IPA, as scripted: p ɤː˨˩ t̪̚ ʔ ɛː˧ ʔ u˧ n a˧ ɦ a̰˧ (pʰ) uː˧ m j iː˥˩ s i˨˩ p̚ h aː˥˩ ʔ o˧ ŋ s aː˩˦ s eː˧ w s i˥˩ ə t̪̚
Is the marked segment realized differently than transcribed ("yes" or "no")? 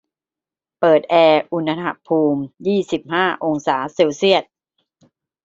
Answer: no